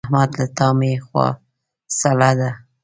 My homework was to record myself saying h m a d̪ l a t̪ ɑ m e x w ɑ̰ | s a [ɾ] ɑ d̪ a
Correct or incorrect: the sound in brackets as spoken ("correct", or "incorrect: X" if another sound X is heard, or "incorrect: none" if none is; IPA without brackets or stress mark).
incorrect: l